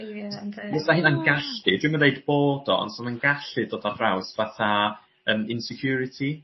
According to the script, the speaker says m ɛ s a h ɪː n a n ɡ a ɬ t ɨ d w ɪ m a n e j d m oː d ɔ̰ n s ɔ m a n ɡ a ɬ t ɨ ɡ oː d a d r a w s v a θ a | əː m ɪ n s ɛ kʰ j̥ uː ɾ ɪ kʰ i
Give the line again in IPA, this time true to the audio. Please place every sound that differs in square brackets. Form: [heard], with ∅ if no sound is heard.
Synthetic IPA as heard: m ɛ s a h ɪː n a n ɡ a ɬ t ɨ d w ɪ m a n e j d [b] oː d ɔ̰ n s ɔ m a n ɡ a ɬ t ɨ [d] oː d a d r a w s v a θ a | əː m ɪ n s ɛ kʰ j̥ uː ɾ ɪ [tʰ] i